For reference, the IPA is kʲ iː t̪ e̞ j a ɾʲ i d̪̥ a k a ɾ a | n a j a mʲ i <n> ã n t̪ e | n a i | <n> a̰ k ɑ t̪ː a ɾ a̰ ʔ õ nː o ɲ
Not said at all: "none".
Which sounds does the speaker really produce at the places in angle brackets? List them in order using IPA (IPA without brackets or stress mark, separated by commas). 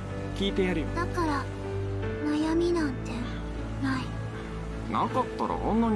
n, n